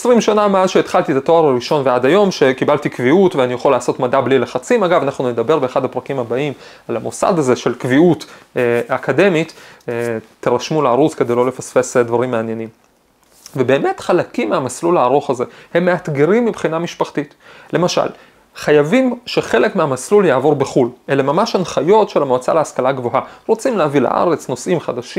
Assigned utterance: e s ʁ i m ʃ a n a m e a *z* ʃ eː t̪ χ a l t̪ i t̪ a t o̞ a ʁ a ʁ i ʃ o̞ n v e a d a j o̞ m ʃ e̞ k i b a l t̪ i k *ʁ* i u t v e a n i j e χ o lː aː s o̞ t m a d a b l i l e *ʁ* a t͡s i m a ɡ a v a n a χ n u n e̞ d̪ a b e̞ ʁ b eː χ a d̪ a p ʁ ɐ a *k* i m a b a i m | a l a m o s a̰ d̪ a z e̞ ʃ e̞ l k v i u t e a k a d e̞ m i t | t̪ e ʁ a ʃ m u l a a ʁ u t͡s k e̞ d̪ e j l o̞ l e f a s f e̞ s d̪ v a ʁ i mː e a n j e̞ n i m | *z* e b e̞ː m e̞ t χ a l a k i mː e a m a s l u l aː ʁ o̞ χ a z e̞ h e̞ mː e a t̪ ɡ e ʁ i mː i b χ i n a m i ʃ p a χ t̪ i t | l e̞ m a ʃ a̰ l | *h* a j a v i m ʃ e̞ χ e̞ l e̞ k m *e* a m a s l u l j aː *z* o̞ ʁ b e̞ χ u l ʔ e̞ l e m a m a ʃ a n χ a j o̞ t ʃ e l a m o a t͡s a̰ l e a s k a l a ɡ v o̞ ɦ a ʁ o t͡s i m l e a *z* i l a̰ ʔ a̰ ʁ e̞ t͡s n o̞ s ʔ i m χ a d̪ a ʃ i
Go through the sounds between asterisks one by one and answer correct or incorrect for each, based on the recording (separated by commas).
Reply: correct, incorrect, incorrect, correct, incorrect, incorrect, correct, incorrect, incorrect